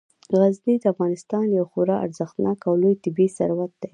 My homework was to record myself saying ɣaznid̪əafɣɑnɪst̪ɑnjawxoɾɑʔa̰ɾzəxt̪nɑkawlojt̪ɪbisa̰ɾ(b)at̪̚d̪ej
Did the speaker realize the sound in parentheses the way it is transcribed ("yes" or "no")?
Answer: no